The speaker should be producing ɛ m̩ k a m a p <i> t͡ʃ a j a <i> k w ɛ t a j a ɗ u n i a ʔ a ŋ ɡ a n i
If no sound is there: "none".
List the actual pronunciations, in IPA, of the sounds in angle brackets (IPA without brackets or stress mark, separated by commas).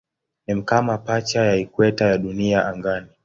a, i